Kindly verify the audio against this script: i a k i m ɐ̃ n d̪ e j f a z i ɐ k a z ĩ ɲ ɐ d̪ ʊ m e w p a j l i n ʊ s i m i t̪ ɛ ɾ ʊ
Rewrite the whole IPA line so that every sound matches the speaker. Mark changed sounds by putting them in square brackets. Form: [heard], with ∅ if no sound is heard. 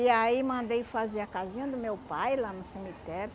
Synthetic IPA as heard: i a [∅] i m ɐ̃ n d̪ e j f a z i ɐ k a z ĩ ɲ ɐ d̪ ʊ m e w p a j l [a] n ʊ s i m i t̪ ɛ ɾ ʊ

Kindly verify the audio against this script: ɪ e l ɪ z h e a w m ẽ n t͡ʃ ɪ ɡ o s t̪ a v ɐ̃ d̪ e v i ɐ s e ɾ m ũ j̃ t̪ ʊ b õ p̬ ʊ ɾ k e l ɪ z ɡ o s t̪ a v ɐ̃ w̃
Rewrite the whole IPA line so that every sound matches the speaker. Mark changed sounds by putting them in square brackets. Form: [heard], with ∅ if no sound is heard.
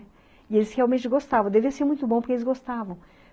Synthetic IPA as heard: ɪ e l ɪ [s] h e a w m ẽ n t͡ʃ ɪ ɡ o s t̪ a v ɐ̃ d̪ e v i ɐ s e ɾ m ũ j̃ t̪ ʊ b õ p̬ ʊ ɾ k e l ɪ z ɡ o s t̪ a v ɐ̃ w̃

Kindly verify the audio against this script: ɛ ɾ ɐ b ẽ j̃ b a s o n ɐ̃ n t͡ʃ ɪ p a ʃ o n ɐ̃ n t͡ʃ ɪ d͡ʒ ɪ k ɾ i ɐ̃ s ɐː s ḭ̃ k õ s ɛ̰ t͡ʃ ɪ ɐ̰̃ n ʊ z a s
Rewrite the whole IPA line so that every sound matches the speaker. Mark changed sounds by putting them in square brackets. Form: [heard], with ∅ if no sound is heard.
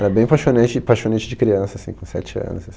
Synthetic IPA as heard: ɛ ɾ ɐ b ẽ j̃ [p] a [ʃ] o n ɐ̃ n t͡ʃ ɪ p a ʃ o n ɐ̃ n t͡ʃ ɪ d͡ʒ ɪ k ɾ i ɐ̃ s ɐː s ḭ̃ k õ s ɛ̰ t͡ʃ ɪ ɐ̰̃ n ʊ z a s

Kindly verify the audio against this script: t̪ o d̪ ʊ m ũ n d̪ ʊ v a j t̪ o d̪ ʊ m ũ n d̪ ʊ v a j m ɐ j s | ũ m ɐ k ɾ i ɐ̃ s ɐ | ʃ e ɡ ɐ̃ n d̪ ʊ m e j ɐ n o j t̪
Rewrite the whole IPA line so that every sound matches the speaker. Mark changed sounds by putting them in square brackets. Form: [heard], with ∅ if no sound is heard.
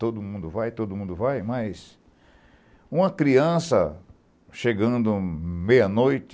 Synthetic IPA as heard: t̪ o d̪ ʊ m ũ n d̪ ʊ v a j t̪ o d̪ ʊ m ũ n d̪ ʊ v a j m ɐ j s | ũ m ɐ k ɾ i ɐ̃ s ɐ | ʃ e ɡ ɐ̃ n d̪ ʊ m e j ɐ n o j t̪

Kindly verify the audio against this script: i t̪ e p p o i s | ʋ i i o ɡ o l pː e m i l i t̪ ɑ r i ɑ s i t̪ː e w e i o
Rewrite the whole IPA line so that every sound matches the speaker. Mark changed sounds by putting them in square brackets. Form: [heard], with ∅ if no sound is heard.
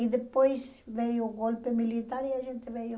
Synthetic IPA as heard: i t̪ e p p o i s | ʋ [e] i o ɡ o l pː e m i l i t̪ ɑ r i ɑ s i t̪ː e [ʋ] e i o

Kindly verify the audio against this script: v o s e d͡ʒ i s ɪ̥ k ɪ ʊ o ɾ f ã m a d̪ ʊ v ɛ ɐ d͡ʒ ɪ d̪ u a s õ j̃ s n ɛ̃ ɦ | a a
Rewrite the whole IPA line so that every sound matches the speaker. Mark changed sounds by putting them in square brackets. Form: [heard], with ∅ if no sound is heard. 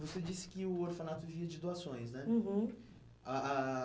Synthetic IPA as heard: v o s e d͡ʒ i s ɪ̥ k ɪ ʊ o ɾ f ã [n] a [t̪] ʊ v [i] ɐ d͡ʒ ɪ d̪ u a s õ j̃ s n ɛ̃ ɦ | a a

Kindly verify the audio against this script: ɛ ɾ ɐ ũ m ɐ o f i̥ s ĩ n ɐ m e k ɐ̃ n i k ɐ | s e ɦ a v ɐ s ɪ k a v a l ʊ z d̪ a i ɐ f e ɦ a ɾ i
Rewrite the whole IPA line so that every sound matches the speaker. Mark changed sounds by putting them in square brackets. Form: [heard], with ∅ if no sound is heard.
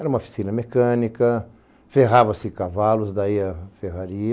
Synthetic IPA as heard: ɛ ɾ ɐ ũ m ɐ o f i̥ s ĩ n ɐ m e k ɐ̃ n i k ɐ | [f] e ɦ a v ɐ s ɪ k a v a l ʊ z d̪ a i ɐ f e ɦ a ɾ i

